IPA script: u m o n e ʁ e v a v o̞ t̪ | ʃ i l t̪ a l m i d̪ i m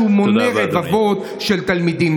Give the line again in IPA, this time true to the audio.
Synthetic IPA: u m o n e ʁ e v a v o̞ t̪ | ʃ e l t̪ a l m i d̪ i m